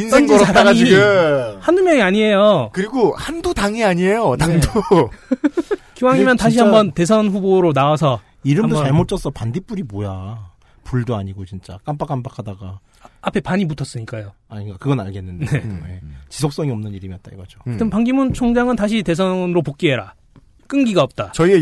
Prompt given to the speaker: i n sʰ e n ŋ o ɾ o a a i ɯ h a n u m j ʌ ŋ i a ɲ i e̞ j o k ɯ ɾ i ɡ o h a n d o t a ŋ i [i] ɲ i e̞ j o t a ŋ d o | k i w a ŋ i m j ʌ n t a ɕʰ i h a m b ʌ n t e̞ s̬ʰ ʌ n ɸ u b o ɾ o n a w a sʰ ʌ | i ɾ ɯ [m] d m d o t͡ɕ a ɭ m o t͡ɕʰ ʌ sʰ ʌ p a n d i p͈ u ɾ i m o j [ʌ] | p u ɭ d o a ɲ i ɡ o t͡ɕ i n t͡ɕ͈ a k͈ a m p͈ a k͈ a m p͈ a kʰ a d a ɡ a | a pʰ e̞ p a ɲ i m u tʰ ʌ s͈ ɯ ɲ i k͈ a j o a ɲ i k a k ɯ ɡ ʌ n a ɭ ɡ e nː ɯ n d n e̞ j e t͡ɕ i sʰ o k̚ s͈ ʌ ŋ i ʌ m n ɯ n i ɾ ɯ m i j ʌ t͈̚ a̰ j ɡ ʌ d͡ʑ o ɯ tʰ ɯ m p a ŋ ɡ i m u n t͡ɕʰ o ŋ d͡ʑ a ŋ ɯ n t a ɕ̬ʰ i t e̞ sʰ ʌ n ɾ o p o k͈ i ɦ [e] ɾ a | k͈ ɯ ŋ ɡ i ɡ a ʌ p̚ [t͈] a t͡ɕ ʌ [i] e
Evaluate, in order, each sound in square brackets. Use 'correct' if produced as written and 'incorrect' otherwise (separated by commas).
incorrect, correct, incorrect, correct, correct, correct